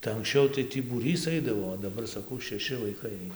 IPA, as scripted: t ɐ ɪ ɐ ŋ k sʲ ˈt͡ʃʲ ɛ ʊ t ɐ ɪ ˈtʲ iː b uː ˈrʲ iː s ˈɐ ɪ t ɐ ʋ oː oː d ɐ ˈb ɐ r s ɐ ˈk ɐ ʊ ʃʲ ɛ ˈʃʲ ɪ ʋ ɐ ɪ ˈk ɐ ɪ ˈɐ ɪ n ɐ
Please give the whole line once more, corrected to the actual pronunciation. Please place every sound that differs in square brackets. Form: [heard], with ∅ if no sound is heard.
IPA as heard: t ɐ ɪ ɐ ŋ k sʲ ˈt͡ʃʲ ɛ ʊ t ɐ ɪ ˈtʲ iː b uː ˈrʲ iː s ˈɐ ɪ [d] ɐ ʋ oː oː d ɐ ˈb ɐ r s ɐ ˈk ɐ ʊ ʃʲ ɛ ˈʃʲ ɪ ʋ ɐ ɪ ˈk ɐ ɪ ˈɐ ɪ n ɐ

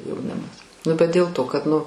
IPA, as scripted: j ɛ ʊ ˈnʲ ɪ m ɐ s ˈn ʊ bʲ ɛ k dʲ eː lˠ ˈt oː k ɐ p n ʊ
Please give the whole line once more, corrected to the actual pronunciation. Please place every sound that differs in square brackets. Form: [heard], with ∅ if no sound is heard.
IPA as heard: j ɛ ʊ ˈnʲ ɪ m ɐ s ˈn ʊ bʲ ɛ [t] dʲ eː lˠ ˈt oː k ɐ [t] n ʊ

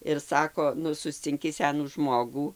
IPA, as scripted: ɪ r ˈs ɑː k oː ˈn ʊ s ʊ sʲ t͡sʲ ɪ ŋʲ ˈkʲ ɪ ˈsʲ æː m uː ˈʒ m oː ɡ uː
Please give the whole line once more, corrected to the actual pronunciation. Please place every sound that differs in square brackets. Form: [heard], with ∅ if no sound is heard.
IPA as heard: ɪ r ˈs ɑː k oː ˈn ʊ s ʊ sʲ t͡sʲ ɪ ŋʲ ˈkʲ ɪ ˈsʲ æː [n] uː ˈʒ m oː ɡ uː

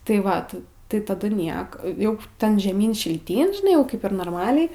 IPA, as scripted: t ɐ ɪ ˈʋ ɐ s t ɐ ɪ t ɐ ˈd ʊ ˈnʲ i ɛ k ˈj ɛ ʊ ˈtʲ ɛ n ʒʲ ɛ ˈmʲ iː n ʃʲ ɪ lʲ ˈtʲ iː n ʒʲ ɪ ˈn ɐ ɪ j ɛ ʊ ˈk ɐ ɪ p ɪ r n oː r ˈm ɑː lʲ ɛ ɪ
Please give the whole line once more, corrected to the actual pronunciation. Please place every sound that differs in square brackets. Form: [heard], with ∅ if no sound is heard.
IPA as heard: t ɐ ɪ ˈʋ ɐ [t] t ɐ ɪ t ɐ ˈd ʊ ˈnʲ i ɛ k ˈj ɛ ʊ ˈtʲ ɛ n ʒʲ ɛ ˈmʲ iː n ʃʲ ɪ lʲ ˈtʲ iː n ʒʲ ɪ ˈn ɐ ɪ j ɛ ʊ ˈk ɐ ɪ p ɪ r n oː r ˈm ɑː lʲ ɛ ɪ

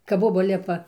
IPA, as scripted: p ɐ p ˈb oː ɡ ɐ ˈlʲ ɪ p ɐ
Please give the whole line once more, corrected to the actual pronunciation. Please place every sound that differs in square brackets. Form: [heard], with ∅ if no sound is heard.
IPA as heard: [k] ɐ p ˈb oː [b] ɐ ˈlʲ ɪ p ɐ

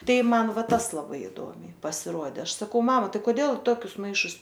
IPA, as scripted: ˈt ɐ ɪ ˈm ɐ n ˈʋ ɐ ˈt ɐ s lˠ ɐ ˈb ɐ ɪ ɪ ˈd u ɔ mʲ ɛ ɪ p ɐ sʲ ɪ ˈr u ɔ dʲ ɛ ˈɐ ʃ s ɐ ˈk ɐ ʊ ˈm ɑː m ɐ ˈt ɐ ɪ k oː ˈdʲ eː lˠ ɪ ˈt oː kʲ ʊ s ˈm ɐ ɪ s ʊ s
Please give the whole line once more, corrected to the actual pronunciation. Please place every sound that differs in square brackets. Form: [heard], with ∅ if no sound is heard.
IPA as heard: ˈt ɐ ɪ ˈm ɐ n ˈʋ ɐ ˈt ɐ s lˠ ɐ ˈb ɐ ɪ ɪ ˈd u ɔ mʲ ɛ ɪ p ɐ sʲ ɪ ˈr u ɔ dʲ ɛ ˈɐ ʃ s ɐ ˈk ɐ ʊ ˈm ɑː m ɐ ˈt ɐ ɪ k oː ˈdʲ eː lˠ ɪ ˈt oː kʲ ʊ s ˈm ɐ ɪ [ʃ] ʊ s

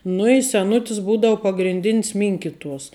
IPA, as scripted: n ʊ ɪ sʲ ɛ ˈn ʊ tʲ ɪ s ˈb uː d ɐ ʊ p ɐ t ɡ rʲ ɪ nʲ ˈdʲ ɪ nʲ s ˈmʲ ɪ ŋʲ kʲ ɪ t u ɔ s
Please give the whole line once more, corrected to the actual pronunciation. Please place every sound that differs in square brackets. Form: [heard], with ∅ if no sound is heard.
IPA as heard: n ʊ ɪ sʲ ɛ ˈn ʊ tʲ ɪ s ˈb uː d ɐ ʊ p ɐ [∅] ɡ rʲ ɪ nʲ ˈdʲ ɪ nʲ s ˈmʲ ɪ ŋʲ kʲ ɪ t u ɔ s

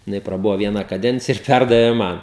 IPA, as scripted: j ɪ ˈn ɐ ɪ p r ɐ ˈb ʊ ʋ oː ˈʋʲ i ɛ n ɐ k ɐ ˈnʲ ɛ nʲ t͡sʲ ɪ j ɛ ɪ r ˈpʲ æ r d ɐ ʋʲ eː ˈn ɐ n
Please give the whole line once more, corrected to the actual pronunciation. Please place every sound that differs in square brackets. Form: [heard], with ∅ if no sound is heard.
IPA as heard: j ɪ ˈn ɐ ɪ p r ɐ ˈb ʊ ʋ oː ˈʋʲ i ɛ n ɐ k ɐ [ˈdʲ] ɛ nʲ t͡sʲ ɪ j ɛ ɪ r ˈpʲ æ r d ɐ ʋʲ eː [ˈm] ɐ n

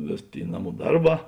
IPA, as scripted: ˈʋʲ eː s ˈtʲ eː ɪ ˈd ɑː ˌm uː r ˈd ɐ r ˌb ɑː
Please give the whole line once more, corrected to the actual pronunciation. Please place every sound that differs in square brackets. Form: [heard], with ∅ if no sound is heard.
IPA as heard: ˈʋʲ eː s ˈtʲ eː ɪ [ˈn] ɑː ˌm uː [∅] ˈd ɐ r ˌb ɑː

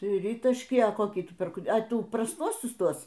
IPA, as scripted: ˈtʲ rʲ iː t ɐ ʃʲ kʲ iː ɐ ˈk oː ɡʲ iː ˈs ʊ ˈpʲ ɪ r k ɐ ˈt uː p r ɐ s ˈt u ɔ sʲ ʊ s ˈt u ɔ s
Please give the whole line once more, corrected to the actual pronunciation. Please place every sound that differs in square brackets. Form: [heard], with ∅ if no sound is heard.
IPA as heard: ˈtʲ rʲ iː t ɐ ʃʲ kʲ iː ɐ ˈk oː [kʲ] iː [ˈt] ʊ ˈpʲ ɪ r k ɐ ˈt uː p r ɐ s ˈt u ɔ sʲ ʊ s ˈt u ɔ s

